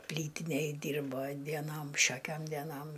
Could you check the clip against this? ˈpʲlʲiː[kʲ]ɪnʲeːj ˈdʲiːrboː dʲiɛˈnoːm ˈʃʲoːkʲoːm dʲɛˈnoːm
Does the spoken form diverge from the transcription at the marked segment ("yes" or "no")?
yes